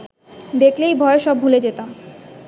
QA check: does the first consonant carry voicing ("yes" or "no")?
yes